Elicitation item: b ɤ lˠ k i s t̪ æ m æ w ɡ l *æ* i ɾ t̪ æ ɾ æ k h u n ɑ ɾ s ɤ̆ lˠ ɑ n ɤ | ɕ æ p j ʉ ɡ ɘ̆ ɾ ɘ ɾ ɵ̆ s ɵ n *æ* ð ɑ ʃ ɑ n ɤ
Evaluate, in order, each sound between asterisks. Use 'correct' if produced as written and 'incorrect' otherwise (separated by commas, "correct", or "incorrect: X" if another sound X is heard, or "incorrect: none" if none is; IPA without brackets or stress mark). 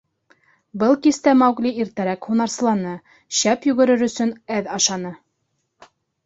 incorrect: i, correct